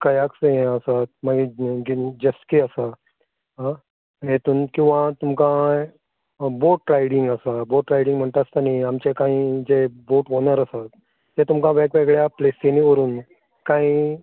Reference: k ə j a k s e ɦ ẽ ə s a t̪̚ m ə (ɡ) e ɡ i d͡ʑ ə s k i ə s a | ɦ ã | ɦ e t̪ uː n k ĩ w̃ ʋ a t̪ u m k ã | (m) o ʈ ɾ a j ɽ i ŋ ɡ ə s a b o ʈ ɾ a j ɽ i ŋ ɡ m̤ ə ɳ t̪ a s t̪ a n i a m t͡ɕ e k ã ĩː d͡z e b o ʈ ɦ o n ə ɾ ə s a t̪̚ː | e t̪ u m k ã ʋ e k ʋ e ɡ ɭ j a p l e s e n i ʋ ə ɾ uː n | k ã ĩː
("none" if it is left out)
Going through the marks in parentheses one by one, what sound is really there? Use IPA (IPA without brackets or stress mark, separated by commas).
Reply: ɡ, b